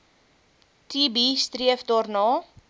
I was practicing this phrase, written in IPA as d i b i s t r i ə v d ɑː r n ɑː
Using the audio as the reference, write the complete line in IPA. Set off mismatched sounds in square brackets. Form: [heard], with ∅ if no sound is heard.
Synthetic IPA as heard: [t] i b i s t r i ə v d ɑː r n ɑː